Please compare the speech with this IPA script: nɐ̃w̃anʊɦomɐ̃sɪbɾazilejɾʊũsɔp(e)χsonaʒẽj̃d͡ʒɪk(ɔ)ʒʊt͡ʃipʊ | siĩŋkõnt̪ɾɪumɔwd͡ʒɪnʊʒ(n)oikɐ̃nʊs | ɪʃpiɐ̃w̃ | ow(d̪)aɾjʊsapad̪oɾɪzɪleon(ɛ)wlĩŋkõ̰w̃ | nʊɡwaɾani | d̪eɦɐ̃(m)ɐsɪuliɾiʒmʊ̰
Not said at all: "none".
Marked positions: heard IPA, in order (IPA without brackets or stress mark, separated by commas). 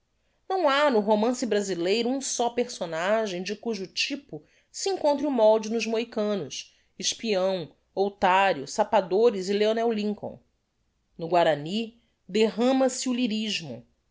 e, u, m, t̪, ɛ, m